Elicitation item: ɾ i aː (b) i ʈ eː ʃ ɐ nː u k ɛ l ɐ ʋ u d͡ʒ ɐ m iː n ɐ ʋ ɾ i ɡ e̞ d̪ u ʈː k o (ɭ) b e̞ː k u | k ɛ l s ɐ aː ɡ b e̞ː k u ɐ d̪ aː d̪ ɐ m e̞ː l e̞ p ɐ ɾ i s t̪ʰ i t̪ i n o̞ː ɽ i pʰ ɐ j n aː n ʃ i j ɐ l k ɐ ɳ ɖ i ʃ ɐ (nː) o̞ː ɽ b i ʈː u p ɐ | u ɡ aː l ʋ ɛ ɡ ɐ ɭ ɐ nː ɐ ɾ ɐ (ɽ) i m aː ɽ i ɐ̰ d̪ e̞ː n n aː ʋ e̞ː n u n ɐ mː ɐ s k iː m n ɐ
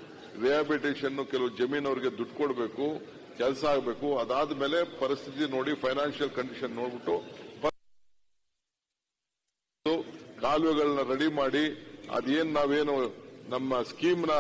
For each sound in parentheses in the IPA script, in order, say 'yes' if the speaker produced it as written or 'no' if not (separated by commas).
yes, no, yes, yes